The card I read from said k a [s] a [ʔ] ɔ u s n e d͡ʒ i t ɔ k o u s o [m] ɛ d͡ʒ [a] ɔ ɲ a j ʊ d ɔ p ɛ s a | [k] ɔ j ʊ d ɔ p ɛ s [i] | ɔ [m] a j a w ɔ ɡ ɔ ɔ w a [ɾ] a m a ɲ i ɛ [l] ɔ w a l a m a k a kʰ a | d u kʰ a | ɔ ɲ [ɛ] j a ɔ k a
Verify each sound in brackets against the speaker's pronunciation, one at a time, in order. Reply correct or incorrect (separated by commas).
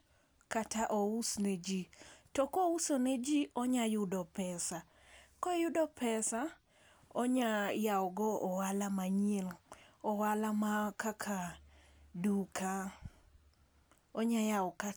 incorrect, correct, incorrect, incorrect, correct, incorrect, incorrect, incorrect, correct, incorrect